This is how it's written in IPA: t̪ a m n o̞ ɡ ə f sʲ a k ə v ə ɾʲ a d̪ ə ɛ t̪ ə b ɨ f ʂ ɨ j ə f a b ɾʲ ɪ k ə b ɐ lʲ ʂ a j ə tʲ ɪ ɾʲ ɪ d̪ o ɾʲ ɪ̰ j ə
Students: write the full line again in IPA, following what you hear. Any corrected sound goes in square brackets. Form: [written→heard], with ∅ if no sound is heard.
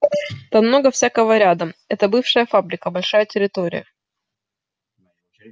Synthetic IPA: t̪ a m n o̞ ɡ ə f sʲ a k ə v ə ɾʲ a d̪ ə ɛ t̪ ə b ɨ f ʂ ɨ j ə f a b ɾʲ ɪ k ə b ɐ lʲ ʂ a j ə tʲ ɪ ɾʲ ɪ [d̪→t̪] o ɾʲ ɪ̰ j ə

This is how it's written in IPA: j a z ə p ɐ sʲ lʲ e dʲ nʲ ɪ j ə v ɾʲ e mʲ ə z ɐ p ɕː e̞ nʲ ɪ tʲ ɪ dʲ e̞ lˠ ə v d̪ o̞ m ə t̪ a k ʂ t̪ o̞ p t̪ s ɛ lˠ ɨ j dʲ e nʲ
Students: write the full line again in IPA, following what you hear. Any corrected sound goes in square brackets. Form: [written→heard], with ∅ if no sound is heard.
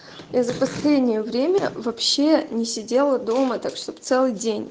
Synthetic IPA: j a z ə p ɐ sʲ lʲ e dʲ nʲ ɪ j ə v ɾʲ e mʲ ə [z→v] ɐ p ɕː e̞ nʲ ɪ [tʲ→sʲ] ɪ dʲ e̞ lˠ ə [v→∅] d̪ o̞ m ə t̪ a k ʂ t̪ o̞ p t̪ s ɛ lˠ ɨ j dʲ e nʲ

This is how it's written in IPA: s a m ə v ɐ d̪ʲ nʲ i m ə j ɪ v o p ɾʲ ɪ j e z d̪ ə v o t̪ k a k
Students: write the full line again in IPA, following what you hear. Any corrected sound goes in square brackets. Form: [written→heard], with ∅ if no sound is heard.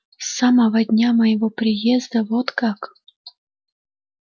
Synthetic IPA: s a m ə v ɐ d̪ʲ nʲ [i→a] m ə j ɪ v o p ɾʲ ɪ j e z d̪ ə v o t̪ k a k

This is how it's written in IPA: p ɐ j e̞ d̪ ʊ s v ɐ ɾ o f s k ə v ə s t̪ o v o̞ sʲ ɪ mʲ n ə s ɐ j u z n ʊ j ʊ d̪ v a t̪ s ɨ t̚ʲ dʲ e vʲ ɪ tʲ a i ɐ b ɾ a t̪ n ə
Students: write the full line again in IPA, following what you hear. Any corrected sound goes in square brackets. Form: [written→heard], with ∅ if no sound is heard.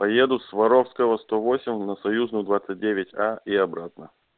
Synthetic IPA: p ɐ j e̞ d̪ ʊ s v ɐ ɾ o f s k ə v ə s t̪ o v o̞ sʲ ɪ mʲ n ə s ɐ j u z n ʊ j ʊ d̪ v a t̪ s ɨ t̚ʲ dʲ e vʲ ɪ tʲ a i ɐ b ɾ a t̪ n ə

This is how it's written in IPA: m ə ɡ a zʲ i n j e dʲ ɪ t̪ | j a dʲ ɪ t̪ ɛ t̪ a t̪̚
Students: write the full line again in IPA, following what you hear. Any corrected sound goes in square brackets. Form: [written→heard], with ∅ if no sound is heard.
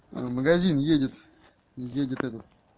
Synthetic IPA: m ə ɡ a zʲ i n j e dʲ ɪ t̪ | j [a→e] dʲ ɪ t̪ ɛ t̪ [a→ə] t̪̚

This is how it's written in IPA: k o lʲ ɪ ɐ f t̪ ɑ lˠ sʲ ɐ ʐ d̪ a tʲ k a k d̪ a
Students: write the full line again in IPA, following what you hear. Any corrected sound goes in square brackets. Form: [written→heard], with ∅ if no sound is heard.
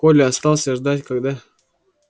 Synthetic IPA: k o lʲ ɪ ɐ [f→s] t̪ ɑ lˠ sʲ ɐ ʐ d̪ a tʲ k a [k→ɡ] d̪ a

